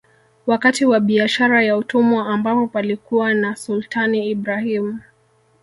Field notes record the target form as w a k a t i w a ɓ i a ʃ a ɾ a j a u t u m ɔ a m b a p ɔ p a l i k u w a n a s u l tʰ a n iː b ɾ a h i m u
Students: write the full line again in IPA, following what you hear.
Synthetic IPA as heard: w a k a t i w a ɓ i a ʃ a ɾ a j a u t u m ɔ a m b a p ɔ p a l i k u w a n a s u l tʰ a n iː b ɾ a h i m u